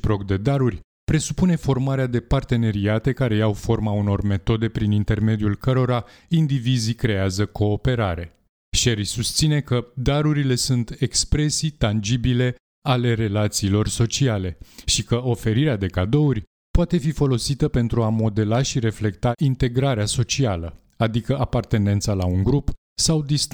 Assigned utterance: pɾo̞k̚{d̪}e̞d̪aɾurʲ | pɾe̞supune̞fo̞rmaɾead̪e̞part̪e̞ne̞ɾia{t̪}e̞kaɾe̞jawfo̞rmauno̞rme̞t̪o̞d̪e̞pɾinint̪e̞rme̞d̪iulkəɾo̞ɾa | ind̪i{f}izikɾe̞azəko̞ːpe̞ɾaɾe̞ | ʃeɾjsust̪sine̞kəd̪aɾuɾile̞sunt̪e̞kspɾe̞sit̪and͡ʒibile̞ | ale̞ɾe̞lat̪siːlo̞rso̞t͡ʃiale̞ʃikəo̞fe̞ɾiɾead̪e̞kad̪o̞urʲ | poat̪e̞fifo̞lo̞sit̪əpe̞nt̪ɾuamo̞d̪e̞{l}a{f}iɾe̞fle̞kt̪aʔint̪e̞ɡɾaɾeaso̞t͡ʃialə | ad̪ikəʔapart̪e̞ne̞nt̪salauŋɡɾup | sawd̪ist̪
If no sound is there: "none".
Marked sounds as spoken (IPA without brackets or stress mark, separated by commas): d̪, t̪, v, l, ʃ